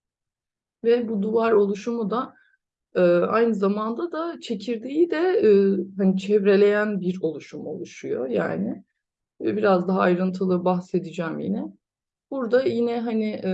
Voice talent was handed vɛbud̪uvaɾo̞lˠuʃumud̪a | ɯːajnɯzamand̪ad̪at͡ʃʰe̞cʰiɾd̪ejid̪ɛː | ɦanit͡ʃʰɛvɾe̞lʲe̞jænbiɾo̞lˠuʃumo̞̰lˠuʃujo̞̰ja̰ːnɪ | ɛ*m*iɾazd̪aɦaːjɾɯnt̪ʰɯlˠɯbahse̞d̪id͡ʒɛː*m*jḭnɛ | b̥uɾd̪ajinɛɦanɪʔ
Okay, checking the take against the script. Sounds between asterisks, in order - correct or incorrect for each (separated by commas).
incorrect, correct